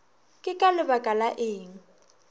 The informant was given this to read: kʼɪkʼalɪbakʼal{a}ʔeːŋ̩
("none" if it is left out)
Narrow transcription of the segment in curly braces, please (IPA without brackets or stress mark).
a